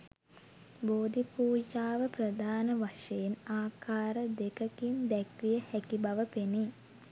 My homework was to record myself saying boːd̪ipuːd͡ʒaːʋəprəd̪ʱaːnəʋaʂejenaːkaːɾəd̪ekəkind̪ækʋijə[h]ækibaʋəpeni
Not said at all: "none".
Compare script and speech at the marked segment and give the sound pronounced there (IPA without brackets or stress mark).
h